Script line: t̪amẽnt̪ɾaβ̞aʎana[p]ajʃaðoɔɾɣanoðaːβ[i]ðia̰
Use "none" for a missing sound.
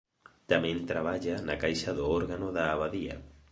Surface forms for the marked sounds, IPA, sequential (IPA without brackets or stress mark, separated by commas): k, a